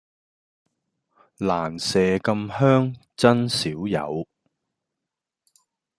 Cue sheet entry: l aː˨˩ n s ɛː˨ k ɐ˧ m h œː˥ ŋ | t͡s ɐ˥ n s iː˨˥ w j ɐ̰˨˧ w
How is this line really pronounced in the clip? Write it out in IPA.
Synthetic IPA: l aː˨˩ n s ɛː˨ k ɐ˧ m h œː˥ ŋ | t͡s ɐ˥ n s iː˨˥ w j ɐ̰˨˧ w

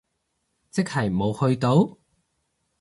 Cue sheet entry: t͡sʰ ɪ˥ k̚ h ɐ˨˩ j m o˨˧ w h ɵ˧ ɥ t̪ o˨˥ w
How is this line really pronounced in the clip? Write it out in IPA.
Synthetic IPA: t͡s ɪ˥ k̚ h ɐ˨˩ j m o˨˧ w h ɵ˧ ɥ t̪ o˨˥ w

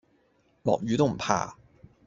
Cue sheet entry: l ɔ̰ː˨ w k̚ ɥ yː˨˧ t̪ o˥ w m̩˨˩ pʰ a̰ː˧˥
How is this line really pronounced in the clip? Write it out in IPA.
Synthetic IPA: l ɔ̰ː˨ k̚ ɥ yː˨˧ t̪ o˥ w m̩˨˩ pʰ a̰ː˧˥

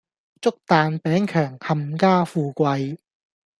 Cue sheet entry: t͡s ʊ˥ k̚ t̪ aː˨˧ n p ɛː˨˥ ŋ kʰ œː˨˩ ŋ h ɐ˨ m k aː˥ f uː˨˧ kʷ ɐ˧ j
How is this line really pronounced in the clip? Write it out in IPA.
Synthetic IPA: t͡s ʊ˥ k̚ t̪ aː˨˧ n p ɛː˨˥ ŋ kʰ œː˨˩ ŋ h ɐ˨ m k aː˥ f uː˨˧ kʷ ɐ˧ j

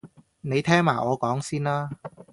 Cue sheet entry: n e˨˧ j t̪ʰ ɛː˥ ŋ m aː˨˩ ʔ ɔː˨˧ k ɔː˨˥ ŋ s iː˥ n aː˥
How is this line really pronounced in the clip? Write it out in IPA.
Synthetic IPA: n e˨˧ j t̪ʰ ɛː˥ ŋ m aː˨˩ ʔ ɔː˨˧ k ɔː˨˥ ŋ s iː˥ n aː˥

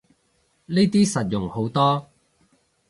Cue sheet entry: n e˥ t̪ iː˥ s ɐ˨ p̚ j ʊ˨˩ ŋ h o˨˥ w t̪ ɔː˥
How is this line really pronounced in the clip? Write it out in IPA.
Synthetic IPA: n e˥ t̪ iː˥ s ɐ˨ t̚ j ʊ˨˩ ŋ h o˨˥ w t̪ ɔː˥

